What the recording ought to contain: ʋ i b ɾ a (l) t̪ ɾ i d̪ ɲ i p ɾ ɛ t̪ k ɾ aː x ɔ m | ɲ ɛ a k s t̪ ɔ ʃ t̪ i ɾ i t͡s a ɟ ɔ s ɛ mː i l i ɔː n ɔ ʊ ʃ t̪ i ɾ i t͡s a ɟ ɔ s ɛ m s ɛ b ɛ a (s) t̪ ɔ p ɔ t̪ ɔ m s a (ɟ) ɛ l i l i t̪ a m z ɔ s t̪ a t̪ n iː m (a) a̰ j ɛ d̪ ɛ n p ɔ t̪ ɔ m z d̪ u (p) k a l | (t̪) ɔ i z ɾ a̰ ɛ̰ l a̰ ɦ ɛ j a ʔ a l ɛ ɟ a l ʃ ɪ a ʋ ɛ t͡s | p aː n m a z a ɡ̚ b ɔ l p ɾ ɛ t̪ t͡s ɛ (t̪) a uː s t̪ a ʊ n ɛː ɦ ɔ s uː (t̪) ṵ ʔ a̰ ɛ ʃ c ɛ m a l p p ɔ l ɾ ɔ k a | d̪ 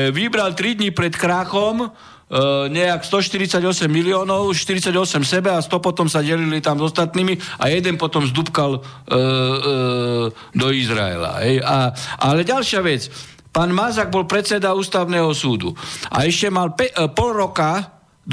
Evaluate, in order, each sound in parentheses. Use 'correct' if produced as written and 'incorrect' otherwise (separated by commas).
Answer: correct, correct, correct, incorrect, correct, incorrect, incorrect, incorrect